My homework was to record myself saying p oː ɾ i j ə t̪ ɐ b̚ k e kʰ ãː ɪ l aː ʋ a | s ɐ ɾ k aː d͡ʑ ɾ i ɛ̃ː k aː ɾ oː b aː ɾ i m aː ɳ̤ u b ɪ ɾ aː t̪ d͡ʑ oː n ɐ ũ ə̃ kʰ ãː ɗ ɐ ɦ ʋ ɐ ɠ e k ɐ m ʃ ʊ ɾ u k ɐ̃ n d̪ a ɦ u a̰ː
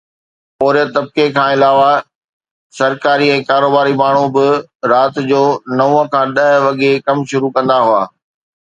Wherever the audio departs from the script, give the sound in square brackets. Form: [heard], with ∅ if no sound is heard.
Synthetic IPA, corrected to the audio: p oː ɾ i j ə t̪ ɐ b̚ k e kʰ ãː ɪ l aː ʋ a | s ɐ ɾ k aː [∅] ɾ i ɛ̃ː k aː ɾ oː b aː ɾ i m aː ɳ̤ u b ɪ ɾ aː t̪ d͡ʑ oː n ɐ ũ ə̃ kʰ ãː ɗ ɐ ɦ ʋ ɐ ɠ e k ɐ m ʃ ʊ ɾ u k ɐ̃ n d̪ a ɦ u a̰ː